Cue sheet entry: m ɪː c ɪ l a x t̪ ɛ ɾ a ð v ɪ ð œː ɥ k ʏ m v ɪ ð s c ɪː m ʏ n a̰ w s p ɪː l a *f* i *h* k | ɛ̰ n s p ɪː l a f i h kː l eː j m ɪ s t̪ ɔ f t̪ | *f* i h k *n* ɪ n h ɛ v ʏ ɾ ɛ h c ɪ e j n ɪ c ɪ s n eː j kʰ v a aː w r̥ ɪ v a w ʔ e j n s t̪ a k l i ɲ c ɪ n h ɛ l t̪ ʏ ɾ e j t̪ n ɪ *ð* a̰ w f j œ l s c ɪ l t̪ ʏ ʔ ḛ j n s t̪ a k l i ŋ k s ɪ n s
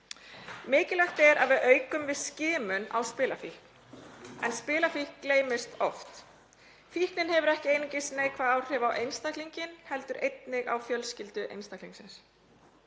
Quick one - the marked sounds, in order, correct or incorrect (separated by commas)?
correct, correct, correct, correct, incorrect